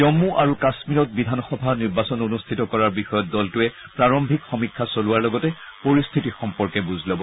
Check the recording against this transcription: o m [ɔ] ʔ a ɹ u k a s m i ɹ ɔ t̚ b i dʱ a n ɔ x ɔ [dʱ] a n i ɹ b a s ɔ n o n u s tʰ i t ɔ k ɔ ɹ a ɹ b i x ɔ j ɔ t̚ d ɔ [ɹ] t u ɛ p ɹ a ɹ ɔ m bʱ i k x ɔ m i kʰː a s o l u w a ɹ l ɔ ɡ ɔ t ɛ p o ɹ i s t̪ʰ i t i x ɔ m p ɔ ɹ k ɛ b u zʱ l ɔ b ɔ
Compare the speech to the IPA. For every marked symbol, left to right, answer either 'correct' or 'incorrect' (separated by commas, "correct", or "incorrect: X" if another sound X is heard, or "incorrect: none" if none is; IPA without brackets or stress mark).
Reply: incorrect: u, incorrect: bʱ, incorrect: l